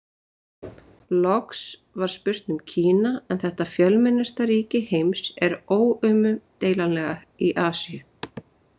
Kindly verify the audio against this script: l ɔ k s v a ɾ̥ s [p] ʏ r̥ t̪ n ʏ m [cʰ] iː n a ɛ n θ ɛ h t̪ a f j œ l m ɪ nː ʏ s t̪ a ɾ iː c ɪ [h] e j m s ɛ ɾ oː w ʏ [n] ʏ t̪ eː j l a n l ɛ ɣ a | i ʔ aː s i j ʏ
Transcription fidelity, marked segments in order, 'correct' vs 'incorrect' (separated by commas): correct, correct, correct, incorrect